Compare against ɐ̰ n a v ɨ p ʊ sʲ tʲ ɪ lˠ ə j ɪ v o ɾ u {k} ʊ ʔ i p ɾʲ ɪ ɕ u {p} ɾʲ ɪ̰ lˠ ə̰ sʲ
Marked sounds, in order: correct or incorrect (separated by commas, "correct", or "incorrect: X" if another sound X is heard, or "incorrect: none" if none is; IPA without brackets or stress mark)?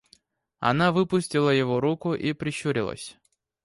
correct, incorrect: none